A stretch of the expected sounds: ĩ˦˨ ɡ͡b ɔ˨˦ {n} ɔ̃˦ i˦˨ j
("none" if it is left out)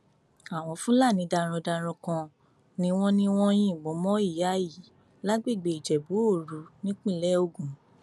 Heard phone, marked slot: m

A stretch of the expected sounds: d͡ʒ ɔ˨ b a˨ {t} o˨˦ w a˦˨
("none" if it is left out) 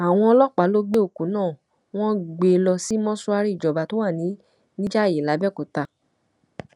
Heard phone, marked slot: t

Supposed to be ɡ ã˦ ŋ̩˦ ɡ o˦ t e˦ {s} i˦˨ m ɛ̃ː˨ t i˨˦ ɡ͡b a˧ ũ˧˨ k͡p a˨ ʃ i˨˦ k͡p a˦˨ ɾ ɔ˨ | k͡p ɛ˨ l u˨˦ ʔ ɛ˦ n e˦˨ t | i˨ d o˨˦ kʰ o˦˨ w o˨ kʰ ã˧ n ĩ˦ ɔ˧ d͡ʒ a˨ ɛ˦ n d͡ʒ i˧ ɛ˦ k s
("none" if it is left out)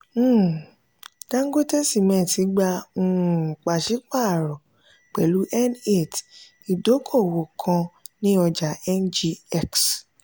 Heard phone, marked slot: s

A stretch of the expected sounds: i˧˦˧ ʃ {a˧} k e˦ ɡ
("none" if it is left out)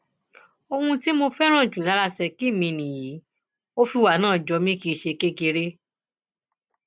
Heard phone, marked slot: e˧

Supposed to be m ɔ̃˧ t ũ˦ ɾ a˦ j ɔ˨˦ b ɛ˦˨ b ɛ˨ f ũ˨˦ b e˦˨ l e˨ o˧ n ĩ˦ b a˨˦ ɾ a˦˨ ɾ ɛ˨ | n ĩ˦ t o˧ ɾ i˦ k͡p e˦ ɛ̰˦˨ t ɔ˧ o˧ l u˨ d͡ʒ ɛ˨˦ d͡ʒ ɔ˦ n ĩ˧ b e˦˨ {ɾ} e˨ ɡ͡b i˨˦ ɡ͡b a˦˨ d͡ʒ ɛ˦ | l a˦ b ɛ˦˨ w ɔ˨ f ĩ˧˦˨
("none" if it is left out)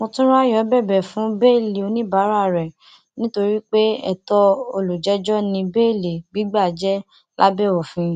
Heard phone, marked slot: l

